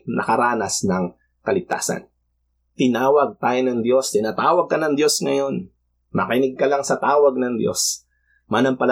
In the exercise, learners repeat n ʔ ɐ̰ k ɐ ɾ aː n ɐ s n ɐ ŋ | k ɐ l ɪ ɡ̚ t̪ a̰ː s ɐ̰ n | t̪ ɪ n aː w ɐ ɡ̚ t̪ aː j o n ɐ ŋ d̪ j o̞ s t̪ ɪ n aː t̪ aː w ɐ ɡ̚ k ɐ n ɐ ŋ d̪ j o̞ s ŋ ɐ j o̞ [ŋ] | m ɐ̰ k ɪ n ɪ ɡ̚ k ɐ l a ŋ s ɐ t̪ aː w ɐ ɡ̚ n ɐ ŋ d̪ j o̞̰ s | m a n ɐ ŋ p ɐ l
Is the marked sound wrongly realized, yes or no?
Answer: yes